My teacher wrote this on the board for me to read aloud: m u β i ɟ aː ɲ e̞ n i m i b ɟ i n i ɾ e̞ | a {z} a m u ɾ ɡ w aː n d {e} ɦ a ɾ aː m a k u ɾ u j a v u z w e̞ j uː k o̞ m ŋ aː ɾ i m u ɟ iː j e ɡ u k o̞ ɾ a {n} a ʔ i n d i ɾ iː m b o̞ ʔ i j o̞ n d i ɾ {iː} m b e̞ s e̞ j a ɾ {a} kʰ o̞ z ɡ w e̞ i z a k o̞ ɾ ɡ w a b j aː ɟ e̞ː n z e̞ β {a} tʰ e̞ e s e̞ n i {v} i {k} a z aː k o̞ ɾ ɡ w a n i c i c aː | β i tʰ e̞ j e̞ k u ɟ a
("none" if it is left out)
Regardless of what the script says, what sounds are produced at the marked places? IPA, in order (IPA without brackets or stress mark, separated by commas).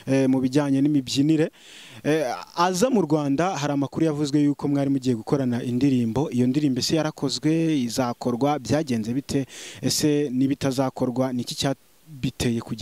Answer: z, a, n, iː, a, i, β, t